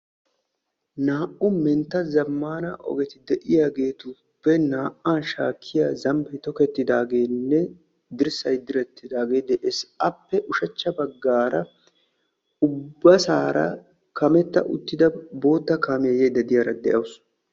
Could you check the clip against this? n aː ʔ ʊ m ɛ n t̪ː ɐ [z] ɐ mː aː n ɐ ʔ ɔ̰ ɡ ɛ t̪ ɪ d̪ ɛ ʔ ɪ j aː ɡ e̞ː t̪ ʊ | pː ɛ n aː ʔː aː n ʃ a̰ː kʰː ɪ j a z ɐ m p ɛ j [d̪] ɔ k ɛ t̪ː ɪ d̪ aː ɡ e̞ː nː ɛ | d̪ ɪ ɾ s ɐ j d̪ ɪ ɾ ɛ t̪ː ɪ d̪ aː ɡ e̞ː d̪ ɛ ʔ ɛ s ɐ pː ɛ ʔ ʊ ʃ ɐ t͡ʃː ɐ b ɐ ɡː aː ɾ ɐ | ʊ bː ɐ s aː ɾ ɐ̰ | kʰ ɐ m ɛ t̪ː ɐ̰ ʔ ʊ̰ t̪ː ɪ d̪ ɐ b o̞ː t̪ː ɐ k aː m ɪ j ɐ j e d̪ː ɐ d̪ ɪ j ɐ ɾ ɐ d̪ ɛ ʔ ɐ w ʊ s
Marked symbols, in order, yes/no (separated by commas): yes, no